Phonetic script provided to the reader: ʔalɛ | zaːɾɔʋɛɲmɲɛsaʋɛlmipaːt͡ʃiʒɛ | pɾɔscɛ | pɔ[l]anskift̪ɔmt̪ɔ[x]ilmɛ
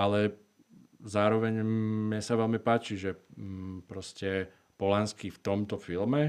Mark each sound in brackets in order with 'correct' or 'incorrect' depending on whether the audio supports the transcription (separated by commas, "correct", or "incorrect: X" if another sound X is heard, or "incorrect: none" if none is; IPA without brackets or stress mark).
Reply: correct, incorrect: f